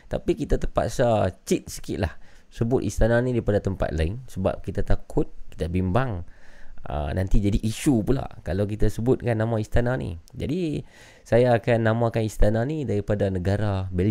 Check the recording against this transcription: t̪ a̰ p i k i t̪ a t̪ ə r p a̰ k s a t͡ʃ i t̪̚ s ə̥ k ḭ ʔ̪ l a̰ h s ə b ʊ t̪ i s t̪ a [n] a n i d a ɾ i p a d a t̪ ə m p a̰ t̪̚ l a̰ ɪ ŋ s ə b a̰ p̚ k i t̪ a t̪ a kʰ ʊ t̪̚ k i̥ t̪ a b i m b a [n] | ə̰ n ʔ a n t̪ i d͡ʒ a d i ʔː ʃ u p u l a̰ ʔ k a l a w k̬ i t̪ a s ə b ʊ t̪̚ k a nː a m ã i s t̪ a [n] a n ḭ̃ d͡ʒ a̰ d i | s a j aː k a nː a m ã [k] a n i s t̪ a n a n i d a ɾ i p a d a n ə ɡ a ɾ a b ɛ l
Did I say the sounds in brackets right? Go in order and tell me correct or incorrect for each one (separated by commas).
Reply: correct, incorrect, correct, correct